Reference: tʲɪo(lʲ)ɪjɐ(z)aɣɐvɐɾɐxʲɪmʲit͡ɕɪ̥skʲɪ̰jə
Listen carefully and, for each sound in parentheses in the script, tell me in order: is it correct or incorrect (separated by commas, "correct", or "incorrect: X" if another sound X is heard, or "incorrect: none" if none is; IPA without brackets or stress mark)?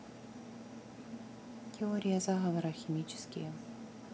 incorrect: ɾʲ, correct